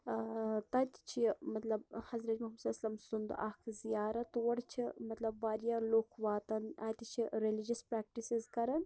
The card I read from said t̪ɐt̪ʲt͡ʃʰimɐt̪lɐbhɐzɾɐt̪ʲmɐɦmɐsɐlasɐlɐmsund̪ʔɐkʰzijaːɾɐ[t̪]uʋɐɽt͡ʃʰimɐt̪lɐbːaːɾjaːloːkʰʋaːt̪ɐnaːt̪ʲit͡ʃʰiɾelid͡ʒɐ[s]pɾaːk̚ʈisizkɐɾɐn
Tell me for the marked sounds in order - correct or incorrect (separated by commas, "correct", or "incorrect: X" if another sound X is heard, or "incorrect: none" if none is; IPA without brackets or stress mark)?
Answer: correct, correct